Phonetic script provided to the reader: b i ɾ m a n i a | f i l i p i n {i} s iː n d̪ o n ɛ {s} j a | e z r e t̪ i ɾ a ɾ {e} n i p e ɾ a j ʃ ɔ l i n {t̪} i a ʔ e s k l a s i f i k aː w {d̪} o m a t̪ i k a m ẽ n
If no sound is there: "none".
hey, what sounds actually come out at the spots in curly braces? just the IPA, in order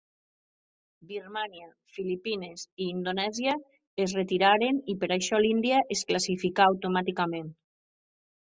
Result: e, z, e, d̪, t̪

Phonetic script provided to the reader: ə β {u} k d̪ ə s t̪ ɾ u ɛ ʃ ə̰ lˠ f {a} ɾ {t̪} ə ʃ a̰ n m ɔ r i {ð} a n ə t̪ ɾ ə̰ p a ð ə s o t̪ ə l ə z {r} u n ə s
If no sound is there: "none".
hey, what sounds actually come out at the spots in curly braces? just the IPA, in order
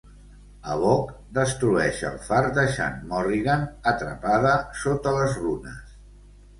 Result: ɔ, a, d̪, ɣ, r

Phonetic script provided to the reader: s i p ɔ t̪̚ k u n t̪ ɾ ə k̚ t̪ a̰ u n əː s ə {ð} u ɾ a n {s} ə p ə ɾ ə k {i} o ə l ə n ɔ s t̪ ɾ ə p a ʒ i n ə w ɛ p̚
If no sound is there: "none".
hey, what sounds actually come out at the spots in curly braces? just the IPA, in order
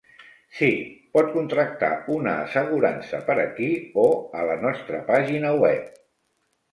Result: ɣ, s, i

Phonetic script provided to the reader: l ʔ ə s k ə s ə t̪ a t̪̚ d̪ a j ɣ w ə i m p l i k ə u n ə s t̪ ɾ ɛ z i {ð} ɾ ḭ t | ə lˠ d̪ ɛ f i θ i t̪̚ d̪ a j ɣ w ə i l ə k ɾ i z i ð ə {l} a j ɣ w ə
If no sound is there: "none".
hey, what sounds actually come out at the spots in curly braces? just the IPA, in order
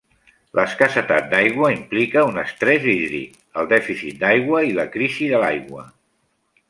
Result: ð, l

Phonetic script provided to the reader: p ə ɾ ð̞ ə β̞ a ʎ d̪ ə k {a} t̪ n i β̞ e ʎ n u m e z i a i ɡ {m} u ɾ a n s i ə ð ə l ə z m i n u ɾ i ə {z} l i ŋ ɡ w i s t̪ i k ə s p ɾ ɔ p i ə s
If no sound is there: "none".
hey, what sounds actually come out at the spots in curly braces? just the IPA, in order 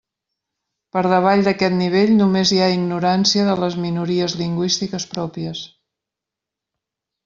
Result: ɛ, n, z

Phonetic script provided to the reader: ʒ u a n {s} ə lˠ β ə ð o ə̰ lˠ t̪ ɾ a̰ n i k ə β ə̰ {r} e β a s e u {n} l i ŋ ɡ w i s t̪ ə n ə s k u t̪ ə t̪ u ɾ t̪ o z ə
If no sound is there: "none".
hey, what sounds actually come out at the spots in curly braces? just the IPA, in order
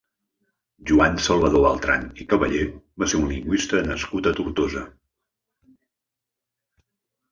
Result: s, ʎ, n

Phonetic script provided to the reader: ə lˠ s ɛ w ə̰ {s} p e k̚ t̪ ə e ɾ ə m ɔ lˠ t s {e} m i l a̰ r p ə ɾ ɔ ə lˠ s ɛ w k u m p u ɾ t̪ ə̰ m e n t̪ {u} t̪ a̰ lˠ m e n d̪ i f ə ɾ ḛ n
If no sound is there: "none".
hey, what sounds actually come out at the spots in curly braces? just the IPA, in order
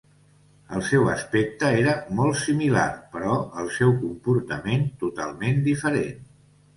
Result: s, i, u

